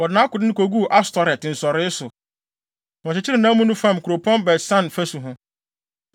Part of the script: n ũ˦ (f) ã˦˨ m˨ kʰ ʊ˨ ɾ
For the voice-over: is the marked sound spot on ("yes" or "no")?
yes